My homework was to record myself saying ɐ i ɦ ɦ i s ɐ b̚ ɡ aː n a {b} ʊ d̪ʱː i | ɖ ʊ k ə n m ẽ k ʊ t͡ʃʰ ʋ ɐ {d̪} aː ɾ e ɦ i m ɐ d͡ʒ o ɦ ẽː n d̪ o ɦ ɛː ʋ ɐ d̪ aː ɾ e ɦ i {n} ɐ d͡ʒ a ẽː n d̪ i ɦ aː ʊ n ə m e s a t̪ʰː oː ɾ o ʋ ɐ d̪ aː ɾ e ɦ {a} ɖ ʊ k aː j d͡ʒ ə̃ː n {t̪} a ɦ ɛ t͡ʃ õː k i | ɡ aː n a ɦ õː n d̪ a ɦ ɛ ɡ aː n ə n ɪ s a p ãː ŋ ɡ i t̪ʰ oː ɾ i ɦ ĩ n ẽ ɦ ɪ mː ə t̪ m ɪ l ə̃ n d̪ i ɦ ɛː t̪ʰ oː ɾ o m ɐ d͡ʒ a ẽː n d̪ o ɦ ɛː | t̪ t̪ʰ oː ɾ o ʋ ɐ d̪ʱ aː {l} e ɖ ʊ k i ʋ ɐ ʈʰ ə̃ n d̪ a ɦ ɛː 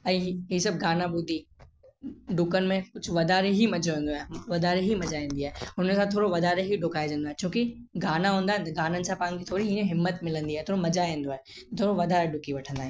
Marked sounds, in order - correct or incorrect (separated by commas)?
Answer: correct, correct, incorrect, incorrect, incorrect, incorrect